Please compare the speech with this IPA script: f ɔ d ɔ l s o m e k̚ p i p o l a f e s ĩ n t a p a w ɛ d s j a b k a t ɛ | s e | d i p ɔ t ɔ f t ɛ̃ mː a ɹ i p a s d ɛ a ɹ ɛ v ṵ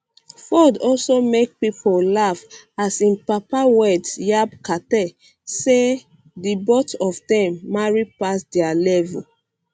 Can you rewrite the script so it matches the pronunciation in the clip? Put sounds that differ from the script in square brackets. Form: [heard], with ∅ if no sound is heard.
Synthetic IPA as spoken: f ɔ d ɔ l s o m e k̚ p i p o l a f [a] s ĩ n [p] a p a w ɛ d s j a b k a t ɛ | s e | d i [b] ɔ t ɔ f [d] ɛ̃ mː a ɹ i p a s d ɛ a [l] ɛ v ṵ